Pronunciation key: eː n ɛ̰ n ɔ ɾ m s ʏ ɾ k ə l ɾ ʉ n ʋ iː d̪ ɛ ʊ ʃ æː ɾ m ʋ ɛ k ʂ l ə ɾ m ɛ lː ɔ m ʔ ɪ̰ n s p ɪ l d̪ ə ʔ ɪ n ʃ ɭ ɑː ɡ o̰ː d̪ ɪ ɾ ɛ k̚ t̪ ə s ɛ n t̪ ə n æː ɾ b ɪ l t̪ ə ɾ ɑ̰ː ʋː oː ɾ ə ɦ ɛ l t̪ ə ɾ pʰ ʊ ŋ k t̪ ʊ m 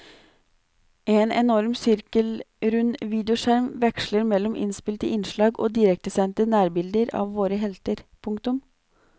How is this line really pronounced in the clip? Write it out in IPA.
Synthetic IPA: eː n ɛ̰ n ɔ ɾ m s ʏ ɾ k ə l ɾ ʉ n ʋ iː d̪ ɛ ʊ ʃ æ ɾ m ʋ ɛ k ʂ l ə ɾ m ɛ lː ɔ m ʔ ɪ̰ n s p ɪ l t̪ ə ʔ ɪ n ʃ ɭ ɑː ɡ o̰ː d̪ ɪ ɾ ɛ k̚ t̪ ə s ɛ n t̪ ə n æː ɾ b ɪ l d̪ ə ɾ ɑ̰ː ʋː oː ɾ ə ɦ ɛ l t̪ ə ɾ pʰ ʊ ŋ k t̪ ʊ m